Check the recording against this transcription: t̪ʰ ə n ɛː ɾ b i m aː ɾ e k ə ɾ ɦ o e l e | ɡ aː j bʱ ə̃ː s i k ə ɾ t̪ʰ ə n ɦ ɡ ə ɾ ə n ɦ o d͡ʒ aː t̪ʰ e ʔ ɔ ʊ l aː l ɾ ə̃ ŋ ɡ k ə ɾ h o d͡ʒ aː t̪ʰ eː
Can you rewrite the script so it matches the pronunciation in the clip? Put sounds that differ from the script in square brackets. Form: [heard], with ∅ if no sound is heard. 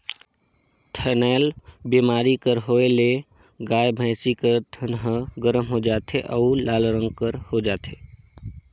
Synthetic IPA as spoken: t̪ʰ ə n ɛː [l] b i m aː ɾ [i] k ə ɾ ɦ o e l e | ɡ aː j bʱ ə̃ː s i k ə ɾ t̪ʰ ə n ɦ ɡ ə ɾ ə [m] ɦ o d͡ʒ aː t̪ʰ e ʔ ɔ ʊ l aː l ɾ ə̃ ŋ ɡ k ə ɾ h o d͡ʒ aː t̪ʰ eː

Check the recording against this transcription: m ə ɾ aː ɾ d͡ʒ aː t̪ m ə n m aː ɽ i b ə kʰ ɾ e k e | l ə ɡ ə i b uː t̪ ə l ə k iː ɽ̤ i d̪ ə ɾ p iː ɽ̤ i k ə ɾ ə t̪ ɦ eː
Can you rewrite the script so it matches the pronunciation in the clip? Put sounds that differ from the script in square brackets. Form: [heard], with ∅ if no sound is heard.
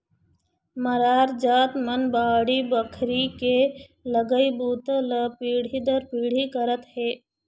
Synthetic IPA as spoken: m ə ɾ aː ɾ d͡ʒ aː t̪ m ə n [b] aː ɽ i b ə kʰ ɾ [i] k e | l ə ɡ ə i b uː t̪ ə l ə [p] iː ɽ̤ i d̪ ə ɾ p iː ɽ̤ i k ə ɾ ə t̪ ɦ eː

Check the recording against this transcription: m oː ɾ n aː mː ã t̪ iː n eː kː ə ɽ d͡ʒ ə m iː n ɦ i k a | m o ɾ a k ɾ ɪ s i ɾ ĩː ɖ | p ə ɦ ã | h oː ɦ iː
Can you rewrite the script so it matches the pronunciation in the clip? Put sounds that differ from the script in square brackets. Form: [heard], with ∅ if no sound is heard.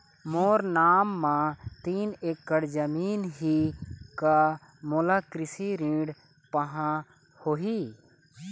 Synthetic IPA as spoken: m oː ɾ n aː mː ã t̪ iː n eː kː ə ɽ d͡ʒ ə m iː n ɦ i k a | m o [l] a k ɾ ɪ s i ɾ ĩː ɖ | p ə ɦ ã | h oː ɦ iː

